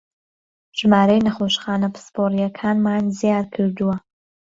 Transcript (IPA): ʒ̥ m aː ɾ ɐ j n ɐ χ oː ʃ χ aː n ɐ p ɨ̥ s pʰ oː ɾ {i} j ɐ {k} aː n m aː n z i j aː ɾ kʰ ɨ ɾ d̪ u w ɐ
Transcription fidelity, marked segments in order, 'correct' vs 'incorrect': correct, incorrect: kʰ

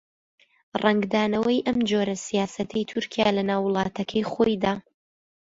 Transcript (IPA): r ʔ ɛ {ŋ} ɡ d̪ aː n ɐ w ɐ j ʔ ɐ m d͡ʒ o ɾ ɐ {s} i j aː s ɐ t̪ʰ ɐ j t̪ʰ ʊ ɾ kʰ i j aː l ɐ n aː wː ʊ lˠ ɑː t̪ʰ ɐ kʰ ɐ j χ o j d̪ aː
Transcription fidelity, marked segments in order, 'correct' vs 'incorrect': correct, correct

